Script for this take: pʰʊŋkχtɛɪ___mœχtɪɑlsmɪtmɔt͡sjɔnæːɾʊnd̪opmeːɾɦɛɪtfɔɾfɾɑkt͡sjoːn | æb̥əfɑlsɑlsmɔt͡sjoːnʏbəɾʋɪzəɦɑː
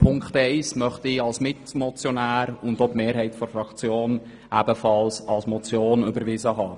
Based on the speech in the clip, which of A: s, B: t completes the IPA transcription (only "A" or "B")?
A